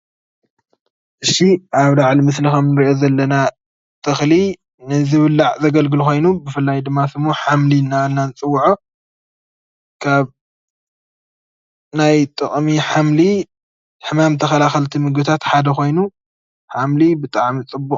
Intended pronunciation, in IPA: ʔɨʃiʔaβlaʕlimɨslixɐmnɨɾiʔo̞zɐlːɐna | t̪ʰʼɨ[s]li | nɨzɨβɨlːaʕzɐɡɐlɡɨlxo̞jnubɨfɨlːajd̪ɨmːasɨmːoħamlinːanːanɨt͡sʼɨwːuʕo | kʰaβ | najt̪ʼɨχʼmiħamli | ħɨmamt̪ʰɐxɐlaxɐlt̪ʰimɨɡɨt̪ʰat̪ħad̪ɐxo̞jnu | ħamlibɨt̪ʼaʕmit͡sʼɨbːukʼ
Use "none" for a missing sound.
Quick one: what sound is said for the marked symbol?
x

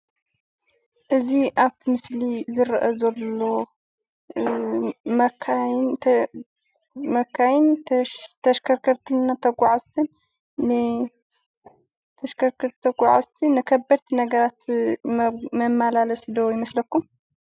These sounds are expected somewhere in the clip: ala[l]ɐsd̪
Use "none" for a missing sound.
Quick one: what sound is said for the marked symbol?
l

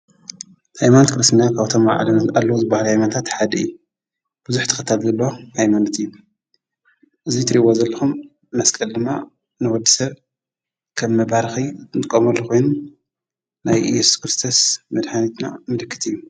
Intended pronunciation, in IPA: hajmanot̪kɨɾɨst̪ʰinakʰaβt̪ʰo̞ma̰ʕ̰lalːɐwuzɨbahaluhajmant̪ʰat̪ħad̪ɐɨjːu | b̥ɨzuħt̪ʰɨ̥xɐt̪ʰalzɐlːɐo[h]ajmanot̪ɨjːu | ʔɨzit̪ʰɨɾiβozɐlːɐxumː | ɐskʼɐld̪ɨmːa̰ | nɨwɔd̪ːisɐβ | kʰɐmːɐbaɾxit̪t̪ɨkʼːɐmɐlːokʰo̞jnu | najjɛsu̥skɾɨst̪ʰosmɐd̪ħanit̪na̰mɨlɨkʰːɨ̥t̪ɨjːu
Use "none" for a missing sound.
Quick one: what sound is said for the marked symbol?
h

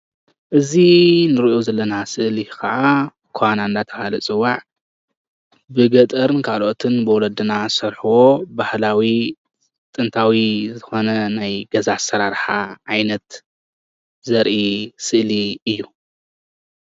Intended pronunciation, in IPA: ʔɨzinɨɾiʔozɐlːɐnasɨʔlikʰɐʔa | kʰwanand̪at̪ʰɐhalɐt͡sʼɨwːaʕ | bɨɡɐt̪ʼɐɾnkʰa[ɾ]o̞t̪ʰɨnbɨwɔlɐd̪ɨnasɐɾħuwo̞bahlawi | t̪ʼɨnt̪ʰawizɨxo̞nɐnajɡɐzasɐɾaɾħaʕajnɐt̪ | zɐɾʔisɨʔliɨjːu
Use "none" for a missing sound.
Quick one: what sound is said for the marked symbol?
l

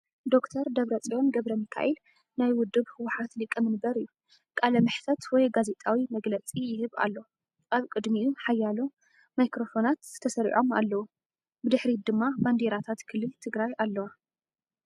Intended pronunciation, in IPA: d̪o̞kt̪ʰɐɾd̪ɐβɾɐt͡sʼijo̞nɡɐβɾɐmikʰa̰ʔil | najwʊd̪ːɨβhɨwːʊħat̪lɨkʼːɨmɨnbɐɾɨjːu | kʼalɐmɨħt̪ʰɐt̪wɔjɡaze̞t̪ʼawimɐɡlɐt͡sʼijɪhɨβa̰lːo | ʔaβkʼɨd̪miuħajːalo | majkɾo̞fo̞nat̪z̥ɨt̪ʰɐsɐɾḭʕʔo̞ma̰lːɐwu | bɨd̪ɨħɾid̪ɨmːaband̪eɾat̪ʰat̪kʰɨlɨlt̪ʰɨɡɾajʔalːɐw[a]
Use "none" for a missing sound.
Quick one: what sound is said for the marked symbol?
a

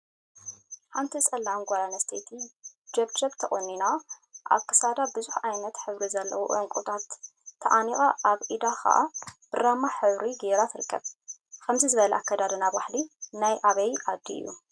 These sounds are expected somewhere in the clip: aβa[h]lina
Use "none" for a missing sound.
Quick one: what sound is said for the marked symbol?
ħ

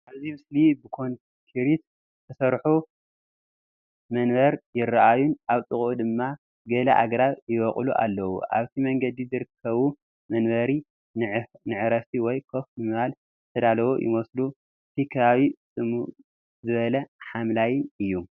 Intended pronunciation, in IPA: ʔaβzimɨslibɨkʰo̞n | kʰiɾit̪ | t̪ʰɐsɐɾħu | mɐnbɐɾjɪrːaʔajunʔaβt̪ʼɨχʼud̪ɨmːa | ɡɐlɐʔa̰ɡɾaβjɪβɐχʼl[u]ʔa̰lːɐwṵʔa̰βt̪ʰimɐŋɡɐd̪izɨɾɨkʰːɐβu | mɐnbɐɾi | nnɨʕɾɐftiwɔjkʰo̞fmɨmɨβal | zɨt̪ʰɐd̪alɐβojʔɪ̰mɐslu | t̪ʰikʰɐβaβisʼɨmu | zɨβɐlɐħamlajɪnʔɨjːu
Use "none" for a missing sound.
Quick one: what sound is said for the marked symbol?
u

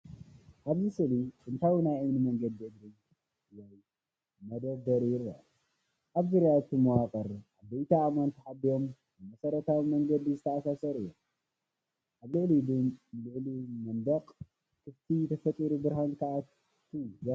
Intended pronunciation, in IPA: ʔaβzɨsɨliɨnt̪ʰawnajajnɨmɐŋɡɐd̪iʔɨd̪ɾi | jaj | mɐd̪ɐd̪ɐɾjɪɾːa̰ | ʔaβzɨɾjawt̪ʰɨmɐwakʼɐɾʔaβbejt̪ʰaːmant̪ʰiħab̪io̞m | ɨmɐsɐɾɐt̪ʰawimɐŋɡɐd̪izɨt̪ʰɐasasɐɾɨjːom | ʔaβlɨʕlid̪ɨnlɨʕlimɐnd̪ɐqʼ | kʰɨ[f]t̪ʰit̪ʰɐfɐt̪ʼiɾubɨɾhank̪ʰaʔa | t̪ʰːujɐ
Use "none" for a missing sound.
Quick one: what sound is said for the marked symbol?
f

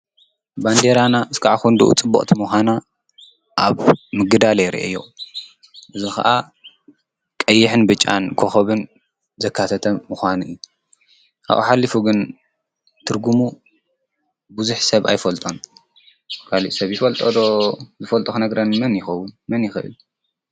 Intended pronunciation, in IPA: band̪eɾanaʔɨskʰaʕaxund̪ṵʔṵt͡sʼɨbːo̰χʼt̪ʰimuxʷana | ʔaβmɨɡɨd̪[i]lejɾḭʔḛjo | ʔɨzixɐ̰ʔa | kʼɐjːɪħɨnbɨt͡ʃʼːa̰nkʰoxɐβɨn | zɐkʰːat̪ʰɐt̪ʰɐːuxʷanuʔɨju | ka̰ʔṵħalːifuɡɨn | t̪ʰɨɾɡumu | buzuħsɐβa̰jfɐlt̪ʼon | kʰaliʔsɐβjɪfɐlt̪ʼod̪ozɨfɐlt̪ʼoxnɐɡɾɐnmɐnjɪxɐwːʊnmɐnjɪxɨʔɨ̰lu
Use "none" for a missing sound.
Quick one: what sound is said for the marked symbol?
a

